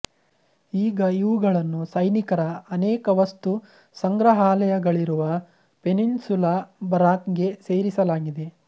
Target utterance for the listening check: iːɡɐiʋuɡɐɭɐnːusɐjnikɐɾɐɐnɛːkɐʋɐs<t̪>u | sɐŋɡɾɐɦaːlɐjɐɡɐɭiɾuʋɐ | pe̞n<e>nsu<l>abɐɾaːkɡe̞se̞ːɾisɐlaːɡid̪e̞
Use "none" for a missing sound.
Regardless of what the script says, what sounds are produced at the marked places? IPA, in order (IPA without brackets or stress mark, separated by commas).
t̪, i, l